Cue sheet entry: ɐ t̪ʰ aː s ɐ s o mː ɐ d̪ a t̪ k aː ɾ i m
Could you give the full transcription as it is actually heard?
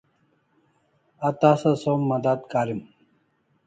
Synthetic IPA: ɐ t̪ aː s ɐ s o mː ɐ d̪ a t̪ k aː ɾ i m